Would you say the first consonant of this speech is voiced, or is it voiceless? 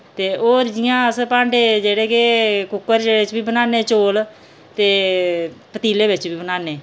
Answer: voiceless